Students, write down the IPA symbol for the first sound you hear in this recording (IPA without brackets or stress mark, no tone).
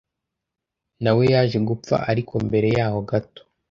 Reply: n